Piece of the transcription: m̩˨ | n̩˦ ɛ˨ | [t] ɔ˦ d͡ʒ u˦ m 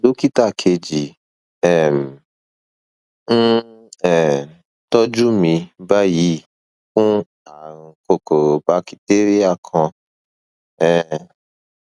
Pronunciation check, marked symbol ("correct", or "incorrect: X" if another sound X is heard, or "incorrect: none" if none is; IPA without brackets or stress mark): correct